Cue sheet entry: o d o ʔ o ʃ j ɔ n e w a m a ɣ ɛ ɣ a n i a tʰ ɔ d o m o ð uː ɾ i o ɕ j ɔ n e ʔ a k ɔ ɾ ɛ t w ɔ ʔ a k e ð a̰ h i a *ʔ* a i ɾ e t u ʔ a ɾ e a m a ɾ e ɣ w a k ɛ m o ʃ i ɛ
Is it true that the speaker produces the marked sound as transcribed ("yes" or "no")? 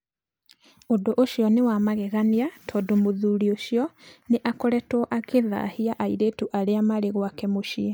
yes